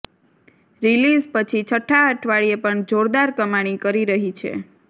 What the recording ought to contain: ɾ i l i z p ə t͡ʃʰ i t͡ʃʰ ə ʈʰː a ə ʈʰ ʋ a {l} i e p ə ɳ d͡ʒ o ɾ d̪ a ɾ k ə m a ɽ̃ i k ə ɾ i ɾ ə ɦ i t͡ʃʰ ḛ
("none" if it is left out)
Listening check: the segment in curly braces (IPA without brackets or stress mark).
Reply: ɭ